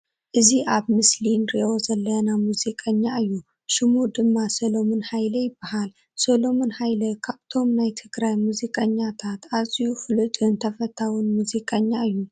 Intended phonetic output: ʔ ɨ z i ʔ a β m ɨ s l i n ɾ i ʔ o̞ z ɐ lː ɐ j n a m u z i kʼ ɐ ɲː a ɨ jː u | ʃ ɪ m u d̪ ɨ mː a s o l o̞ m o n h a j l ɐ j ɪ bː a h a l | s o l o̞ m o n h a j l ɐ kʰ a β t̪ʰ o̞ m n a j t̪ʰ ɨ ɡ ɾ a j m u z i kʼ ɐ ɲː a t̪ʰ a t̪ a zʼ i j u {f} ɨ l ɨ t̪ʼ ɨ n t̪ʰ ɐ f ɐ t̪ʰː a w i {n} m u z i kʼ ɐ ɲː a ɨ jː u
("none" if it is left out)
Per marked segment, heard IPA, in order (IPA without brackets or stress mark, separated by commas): f, n